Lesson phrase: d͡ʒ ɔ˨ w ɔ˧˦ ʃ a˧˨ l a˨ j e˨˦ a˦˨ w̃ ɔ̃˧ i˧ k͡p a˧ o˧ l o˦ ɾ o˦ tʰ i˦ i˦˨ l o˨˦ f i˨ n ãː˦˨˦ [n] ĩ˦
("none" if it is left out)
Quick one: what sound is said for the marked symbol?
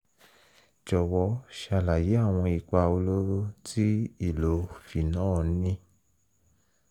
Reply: n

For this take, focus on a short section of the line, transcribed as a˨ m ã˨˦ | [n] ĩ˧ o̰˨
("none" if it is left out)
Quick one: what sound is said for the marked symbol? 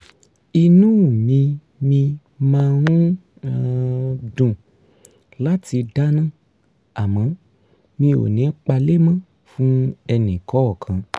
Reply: m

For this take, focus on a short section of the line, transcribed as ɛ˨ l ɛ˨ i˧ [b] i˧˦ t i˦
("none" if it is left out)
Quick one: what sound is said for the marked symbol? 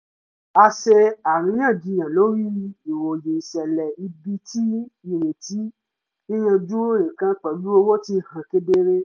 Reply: b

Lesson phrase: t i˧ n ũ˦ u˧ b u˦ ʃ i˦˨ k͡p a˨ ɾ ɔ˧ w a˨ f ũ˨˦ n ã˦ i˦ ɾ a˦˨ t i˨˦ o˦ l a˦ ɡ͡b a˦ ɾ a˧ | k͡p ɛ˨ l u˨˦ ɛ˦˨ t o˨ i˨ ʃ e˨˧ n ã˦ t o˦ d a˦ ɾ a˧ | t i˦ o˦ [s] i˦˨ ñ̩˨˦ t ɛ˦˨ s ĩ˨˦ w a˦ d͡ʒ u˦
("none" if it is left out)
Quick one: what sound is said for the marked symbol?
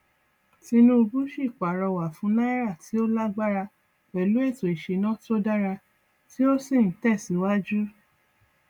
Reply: s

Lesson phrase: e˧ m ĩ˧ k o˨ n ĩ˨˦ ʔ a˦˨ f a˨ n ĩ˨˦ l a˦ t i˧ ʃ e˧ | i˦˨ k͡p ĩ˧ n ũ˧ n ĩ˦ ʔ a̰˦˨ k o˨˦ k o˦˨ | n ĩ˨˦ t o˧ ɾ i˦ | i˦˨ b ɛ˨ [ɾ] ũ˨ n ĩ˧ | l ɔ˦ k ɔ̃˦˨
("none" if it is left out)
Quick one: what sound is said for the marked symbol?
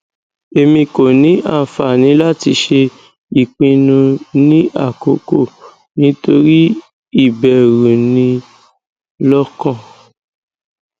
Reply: ɾ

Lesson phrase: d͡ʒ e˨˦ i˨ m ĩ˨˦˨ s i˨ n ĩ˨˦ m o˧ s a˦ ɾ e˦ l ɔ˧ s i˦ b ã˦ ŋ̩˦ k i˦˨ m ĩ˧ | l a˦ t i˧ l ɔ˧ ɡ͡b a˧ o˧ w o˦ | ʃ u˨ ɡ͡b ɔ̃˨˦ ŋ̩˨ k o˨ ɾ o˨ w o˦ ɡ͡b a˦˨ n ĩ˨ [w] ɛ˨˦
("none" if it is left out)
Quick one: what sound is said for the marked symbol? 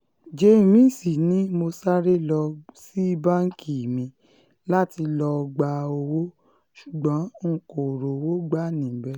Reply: b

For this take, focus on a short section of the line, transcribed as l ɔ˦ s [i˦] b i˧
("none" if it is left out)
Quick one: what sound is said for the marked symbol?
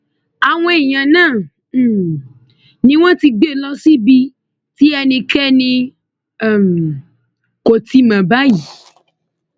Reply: i˦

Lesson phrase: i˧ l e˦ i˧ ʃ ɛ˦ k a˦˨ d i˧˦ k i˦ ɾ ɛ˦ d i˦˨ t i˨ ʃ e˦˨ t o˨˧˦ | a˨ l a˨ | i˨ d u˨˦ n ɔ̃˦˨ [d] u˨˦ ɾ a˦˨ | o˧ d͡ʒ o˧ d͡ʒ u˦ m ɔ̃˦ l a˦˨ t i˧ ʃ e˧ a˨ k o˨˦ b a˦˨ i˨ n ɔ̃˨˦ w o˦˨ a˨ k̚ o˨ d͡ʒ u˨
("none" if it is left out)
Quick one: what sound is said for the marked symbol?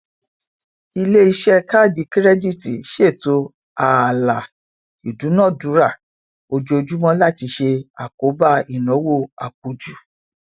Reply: d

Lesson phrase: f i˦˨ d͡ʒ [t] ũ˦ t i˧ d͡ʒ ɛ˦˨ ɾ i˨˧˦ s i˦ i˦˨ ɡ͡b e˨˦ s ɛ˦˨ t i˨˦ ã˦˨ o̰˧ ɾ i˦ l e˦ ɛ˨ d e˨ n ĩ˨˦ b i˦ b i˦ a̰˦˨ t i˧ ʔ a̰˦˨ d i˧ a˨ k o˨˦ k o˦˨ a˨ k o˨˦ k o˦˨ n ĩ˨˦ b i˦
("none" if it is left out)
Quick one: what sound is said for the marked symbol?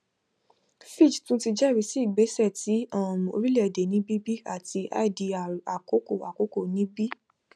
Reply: t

